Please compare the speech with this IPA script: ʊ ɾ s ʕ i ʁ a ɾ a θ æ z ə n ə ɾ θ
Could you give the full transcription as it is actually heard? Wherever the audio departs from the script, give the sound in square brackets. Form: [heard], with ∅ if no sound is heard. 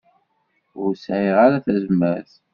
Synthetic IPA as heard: ʊ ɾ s ʕ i ʁ a ɾ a θ æ z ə [m] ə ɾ θ